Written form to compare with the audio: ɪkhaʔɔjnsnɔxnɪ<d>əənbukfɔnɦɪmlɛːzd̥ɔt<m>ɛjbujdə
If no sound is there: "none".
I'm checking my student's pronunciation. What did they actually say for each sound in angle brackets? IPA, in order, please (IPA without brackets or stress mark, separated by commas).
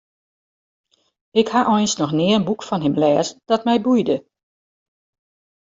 none, m